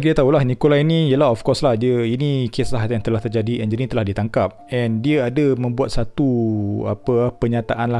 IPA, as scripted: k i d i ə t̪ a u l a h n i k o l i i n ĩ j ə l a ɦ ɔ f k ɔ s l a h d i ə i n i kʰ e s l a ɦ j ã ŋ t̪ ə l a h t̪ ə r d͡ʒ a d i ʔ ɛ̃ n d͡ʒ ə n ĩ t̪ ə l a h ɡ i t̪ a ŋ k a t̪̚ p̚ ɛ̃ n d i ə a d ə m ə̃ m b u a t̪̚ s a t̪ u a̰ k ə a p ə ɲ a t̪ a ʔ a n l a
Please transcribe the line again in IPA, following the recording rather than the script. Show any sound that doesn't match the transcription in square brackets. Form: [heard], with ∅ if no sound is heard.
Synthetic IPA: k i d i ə t̪ a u l a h n i k o l [a] i n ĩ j ə l a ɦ ɔ f k ɔ s l a h d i ə i n i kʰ e s l a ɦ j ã ŋ t̪ ə l a h t̪ ə r d͡ʒ a d i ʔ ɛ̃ n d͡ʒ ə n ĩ t̪ ə l a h [d] i t̪ a ŋ k a [∅] p̚ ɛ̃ n d i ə a d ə m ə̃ m b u a t̪̚ s a t̪ u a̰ [p] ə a p ə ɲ a t̪ a ʔ a n l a